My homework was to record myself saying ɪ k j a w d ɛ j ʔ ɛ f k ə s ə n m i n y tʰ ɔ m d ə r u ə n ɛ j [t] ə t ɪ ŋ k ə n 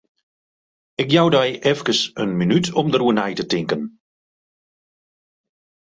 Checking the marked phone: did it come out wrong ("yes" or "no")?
no